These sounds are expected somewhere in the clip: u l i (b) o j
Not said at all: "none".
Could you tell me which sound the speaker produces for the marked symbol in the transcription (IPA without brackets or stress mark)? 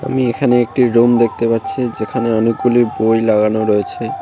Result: b